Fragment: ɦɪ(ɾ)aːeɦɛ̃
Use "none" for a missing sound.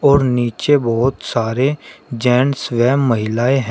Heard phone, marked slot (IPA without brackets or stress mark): l